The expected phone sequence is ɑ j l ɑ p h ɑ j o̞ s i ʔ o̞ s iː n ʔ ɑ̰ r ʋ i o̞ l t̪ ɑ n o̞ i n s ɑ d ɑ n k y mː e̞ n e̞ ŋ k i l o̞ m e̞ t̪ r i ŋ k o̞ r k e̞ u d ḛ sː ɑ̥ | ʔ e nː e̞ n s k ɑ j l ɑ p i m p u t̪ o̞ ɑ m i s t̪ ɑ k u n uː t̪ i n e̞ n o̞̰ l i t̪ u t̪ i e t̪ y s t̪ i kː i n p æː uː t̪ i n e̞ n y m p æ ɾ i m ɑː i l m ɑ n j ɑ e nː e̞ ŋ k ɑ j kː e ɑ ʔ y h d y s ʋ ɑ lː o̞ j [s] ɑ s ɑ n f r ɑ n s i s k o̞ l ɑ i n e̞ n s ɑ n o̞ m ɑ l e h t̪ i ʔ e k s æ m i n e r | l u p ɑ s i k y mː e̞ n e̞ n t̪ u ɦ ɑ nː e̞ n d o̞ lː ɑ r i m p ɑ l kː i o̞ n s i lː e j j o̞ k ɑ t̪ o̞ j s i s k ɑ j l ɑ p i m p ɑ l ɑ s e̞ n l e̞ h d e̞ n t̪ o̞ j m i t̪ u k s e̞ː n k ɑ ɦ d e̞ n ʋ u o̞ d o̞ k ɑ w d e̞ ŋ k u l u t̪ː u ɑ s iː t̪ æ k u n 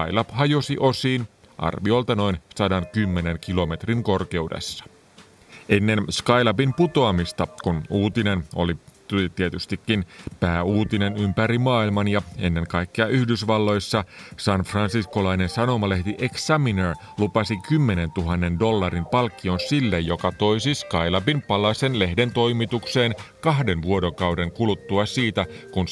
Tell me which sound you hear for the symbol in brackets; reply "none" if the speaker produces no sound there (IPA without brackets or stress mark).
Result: sː